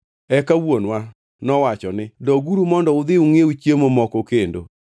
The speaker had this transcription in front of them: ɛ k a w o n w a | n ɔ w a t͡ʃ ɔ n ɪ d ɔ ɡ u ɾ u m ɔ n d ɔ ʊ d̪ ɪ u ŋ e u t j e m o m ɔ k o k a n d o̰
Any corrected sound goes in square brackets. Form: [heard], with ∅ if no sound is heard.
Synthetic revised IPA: ɛ k a w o n w a | n ɔ w a t͡ʃ ɔ n ɪ d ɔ ɡ u ɾ u m ɔ n d ɔ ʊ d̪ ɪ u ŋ e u [t͡ʃ] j e m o m ɔ k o k [e] n d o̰